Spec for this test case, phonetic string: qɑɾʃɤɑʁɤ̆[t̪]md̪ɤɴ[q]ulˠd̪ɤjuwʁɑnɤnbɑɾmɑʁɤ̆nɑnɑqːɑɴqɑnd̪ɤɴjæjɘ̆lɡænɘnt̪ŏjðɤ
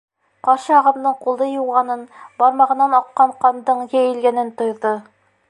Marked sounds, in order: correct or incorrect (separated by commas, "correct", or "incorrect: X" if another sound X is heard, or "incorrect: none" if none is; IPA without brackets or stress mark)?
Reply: incorrect: none, correct